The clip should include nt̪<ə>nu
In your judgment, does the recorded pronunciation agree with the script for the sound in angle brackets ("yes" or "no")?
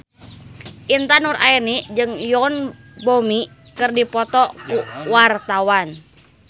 no